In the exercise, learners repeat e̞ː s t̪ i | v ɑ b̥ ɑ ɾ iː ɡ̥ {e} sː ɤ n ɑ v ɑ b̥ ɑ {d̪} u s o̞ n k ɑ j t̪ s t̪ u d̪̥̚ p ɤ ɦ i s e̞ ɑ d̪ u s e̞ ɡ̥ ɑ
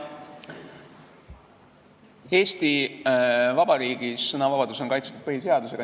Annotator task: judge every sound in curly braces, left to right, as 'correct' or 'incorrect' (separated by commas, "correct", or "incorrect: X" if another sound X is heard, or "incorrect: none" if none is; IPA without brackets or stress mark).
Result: incorrect: i, correct